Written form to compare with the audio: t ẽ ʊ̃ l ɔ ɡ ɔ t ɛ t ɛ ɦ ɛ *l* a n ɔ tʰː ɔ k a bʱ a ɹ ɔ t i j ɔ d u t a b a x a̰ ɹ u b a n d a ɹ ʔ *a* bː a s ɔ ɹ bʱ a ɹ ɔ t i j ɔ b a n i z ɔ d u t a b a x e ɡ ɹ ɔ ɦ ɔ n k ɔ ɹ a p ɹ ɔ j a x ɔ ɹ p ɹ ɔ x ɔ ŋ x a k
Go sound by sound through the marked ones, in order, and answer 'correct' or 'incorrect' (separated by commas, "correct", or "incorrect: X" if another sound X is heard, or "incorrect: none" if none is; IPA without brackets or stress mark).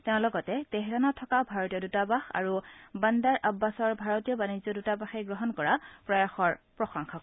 incorrect: ɹ, correct